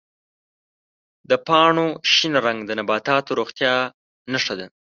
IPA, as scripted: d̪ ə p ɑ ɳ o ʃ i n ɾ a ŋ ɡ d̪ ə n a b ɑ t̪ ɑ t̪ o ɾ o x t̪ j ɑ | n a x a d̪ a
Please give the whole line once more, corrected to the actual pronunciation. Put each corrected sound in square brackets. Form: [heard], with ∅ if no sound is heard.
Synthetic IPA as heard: d̪ ə p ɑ ɳ o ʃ i n ɾ a ŋ ɡ d̪ ə n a b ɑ t̪ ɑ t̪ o ɾ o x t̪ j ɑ | n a [ʂ] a d̪ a